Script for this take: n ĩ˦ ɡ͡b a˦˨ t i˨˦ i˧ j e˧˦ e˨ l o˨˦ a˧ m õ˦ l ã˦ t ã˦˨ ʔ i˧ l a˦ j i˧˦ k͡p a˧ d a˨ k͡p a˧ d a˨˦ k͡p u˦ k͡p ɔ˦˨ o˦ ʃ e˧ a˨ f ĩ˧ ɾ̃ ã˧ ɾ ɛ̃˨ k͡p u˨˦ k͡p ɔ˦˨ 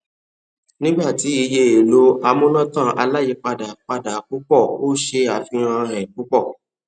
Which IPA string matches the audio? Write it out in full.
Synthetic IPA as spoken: n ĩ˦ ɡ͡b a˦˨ t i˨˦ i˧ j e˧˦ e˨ l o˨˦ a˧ m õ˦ l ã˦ t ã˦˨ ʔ a˧ l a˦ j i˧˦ k͡p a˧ d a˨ k͡p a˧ d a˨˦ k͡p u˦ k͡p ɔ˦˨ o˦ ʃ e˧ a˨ f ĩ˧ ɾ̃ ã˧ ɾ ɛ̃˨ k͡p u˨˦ k͡p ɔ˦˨

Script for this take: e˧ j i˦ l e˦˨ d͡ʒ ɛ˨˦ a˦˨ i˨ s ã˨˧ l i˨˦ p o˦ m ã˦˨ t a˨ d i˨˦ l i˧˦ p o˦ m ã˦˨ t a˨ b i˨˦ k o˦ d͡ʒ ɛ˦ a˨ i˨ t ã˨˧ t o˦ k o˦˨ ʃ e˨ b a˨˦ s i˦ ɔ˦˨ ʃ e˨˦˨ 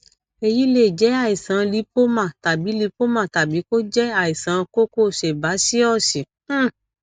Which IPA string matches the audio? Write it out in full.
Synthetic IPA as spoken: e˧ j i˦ l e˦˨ d͡ʒ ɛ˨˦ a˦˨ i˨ s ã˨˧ l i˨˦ p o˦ m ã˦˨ t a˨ b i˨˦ l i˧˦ p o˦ m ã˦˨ t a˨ b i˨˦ k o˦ d͡ʒ ɛ˦ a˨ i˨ s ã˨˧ k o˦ k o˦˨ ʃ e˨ b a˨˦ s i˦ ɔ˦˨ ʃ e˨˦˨

